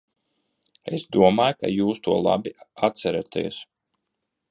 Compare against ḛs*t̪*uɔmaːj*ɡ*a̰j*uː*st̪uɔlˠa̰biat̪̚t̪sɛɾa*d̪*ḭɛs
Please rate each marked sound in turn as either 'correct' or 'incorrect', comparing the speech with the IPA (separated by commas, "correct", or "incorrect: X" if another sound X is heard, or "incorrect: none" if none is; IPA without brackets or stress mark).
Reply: incorrect: d̪, incorrect: k, correct, incorrect: t̪